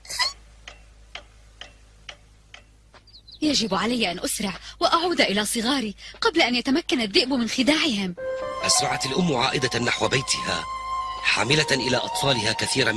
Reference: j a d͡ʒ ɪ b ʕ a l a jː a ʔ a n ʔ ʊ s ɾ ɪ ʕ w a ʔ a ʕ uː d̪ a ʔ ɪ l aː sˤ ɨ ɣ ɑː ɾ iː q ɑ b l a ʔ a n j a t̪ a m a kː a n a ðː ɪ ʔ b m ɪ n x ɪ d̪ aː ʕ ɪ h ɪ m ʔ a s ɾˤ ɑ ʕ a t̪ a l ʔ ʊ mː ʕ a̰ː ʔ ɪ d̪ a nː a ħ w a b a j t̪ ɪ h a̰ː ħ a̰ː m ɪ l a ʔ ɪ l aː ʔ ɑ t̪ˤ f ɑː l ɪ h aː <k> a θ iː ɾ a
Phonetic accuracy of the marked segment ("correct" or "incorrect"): correct